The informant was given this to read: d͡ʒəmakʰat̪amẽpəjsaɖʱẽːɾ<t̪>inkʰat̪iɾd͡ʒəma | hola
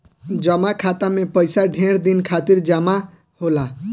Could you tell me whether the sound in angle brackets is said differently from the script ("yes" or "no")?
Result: yes